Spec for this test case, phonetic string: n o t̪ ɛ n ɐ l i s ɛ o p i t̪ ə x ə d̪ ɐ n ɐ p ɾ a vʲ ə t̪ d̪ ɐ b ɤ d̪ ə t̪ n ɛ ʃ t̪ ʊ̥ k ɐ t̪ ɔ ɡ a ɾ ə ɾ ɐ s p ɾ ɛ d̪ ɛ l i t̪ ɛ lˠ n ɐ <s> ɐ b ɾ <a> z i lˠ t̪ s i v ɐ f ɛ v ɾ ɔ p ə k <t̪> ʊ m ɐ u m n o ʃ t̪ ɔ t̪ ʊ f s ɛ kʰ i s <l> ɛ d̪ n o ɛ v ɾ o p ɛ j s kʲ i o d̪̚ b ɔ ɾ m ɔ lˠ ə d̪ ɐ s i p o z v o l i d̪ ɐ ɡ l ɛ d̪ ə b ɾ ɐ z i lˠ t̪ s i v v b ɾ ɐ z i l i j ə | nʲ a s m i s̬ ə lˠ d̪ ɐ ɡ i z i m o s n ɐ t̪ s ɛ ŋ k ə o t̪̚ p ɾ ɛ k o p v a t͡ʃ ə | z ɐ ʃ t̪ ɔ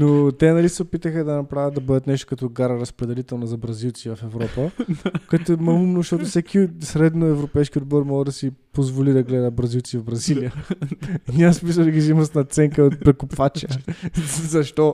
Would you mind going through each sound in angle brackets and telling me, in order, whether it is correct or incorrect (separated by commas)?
incorrect, incorrect, correct, incorrect